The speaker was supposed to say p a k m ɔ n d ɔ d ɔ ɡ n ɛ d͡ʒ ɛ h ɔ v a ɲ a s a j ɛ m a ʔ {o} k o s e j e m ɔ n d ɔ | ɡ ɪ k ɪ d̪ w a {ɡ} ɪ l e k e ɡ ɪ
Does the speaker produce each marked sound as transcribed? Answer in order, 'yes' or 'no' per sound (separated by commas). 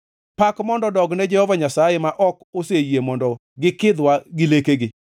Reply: no, yes